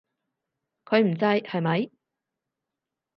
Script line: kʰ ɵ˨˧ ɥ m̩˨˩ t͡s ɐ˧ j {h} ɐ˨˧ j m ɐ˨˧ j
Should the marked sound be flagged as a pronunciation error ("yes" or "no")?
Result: no